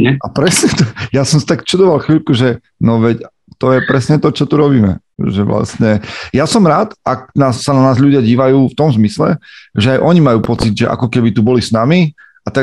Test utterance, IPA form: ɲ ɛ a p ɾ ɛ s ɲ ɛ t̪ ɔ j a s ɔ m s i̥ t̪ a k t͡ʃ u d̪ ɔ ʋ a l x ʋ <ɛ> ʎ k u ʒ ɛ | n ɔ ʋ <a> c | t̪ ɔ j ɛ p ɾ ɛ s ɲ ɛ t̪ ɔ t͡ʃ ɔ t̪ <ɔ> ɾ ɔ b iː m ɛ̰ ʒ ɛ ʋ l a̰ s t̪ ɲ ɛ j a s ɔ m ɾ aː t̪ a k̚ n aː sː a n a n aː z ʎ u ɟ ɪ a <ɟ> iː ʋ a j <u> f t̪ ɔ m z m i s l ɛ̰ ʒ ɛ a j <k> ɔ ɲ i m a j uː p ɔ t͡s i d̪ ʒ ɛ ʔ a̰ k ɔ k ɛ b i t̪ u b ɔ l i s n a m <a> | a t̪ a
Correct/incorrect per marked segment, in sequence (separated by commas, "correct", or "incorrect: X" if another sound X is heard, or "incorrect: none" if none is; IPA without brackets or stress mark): incorrect: i, incorrect: ɛ, incorrect: u, correct, incorrect: uː, incorrect: ʔ, incorrect: i